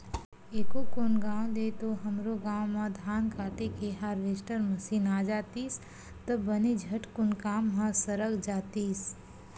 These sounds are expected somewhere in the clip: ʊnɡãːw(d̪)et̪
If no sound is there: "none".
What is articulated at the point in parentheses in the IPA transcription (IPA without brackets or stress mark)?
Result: d̪